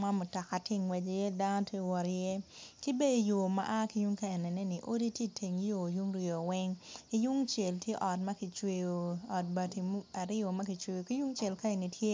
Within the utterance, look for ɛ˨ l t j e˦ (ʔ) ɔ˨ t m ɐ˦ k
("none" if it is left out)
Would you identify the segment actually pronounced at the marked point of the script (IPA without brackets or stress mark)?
ʔ